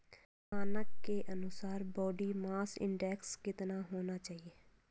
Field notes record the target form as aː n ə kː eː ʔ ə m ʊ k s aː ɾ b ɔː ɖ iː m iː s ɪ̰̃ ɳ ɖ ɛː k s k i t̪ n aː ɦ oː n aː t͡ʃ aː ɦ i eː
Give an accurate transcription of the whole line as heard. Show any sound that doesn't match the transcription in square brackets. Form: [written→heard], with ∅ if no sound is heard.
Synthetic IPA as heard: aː n ə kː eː ʔ ə [m→n] ʊ [k→∅] s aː ɾ b ɔː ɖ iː m [iː→aː] s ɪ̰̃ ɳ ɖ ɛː k s k [i→ɪ] t̪ n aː ɦ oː n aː t͡ʃ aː ɦ i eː